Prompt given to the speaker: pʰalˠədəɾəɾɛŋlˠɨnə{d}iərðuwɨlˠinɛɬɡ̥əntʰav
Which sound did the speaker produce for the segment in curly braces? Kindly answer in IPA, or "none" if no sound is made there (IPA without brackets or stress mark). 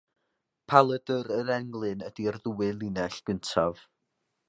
d